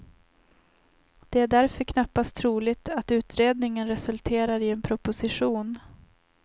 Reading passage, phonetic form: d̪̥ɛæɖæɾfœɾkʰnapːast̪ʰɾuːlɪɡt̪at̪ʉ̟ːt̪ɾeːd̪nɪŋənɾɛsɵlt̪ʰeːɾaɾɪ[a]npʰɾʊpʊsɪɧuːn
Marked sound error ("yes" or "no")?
yes